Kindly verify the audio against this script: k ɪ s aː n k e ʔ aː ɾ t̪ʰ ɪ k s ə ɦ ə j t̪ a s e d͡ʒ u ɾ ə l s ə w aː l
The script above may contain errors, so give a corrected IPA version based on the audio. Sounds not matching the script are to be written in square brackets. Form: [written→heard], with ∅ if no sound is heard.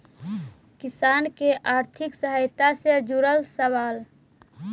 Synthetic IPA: k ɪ s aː n k e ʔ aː ɾ t̪ʰ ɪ k s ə ɦ ə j t̪ a s e d͡ʒ u ɾ ə l s ə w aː l